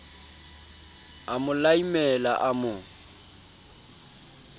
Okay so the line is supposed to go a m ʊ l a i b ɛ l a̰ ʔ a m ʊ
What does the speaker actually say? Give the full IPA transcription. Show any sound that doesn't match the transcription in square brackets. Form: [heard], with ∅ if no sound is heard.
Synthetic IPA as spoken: a m ʊ l a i [m] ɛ l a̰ ʔ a m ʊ